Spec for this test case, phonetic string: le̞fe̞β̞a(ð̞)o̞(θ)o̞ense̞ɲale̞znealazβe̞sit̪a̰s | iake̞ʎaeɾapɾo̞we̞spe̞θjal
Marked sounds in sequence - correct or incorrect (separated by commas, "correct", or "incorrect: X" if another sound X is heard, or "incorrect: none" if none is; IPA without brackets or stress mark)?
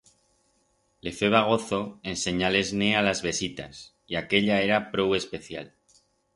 incorrect: ɣ̞, correct